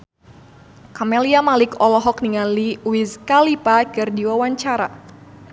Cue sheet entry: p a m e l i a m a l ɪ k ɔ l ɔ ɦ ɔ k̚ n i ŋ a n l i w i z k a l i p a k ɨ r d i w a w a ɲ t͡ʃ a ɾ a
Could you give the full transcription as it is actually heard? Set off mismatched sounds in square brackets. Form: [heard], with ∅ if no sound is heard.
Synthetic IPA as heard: [k] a m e l i a m a l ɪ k ɔ l ɔ ɦ ɔ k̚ n i ŋ a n l i w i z k a l i p a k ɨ r d i w a w a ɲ t͡ʃ a ɾ a